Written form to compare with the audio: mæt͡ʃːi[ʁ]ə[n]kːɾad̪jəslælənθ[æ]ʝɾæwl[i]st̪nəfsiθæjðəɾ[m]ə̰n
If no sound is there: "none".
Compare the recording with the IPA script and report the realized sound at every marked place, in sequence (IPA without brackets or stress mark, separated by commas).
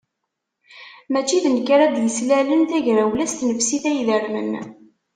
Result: ð, n, æ, æ, m